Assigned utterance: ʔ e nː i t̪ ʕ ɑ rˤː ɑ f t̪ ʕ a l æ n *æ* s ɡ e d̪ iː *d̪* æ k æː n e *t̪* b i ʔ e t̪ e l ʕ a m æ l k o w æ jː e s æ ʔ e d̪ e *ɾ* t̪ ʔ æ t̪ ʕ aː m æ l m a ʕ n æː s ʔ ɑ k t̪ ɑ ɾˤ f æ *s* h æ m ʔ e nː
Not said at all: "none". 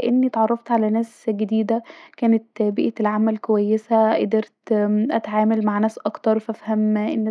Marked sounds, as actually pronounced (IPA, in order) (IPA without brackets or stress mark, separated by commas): æː, d̪, t̪, ɾ, f